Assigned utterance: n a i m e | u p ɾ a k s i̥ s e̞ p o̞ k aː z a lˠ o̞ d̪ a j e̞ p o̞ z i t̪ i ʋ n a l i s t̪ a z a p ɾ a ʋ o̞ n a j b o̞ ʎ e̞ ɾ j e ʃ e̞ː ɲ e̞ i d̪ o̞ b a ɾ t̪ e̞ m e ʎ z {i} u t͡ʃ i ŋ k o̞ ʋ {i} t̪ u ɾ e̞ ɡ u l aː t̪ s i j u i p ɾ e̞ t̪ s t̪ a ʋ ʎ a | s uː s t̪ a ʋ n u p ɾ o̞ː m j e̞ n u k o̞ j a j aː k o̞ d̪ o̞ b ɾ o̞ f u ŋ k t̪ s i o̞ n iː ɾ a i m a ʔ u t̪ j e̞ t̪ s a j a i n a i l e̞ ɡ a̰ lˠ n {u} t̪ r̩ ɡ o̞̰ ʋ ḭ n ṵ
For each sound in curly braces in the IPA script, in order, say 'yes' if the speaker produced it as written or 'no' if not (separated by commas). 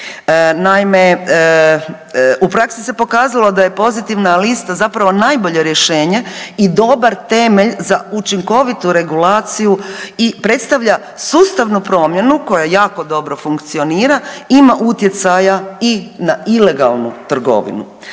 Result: no, yes, yes